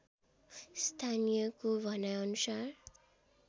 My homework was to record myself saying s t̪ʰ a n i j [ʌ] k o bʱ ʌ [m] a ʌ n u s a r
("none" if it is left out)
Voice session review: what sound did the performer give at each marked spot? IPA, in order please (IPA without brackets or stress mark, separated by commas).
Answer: ʌ, n